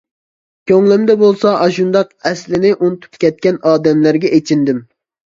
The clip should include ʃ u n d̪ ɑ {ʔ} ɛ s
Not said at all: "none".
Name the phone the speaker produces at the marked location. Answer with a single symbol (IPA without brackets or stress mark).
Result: q